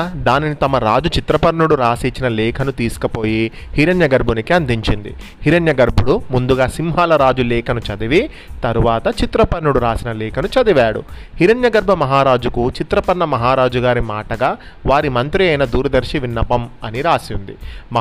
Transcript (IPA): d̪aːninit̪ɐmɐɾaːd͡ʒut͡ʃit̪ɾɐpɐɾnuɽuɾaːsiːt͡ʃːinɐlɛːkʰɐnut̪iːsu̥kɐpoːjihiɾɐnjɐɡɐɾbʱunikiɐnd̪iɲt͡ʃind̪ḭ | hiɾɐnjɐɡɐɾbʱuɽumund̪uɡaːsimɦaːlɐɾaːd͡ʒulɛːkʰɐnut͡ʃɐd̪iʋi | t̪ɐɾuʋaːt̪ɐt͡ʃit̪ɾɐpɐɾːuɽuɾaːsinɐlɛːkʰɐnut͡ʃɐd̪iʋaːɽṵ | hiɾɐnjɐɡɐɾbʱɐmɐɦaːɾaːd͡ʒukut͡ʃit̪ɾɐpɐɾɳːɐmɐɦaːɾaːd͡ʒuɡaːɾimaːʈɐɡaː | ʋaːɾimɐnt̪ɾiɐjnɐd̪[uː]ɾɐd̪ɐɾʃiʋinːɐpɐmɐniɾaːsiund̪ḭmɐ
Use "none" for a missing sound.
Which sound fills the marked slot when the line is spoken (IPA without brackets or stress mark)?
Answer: uː